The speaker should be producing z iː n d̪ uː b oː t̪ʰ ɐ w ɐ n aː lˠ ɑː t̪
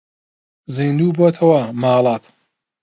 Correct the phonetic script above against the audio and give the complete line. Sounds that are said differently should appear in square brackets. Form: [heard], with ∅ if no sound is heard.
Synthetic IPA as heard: z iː n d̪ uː b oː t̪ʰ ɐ w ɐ [m] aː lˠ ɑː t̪